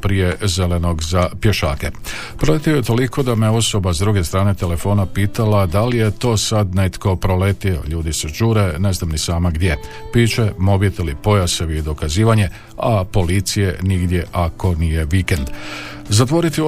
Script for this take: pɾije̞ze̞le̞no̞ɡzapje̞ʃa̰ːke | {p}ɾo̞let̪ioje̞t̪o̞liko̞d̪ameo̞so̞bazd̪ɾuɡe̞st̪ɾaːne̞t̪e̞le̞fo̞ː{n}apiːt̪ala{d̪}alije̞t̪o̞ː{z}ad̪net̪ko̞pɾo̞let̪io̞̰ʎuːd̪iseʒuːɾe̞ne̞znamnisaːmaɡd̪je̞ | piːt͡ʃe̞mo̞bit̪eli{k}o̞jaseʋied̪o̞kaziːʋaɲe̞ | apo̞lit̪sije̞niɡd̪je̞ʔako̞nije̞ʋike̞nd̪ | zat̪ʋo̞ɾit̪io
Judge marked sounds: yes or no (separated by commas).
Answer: yes, yes, yes, no, no